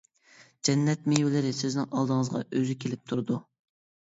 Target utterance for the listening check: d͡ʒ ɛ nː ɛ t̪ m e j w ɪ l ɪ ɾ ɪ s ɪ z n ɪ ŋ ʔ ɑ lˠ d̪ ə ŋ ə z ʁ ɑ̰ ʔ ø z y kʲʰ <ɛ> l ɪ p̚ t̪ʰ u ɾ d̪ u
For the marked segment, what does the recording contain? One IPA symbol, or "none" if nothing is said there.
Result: e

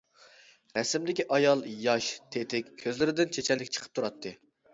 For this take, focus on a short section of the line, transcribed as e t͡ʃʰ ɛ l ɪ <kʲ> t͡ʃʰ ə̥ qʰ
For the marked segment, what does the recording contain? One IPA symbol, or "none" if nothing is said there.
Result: kʲ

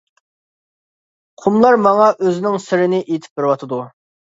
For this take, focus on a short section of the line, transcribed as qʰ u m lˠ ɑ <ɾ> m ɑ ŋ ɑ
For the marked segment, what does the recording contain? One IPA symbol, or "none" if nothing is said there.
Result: ɾ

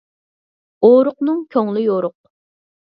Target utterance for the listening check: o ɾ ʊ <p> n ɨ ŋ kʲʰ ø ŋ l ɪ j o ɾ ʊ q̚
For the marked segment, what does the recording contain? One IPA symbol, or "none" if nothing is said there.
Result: q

